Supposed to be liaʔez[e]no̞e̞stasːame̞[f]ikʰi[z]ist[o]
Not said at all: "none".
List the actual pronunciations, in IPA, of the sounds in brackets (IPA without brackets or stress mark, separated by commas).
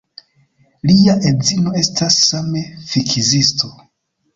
i, f, z, o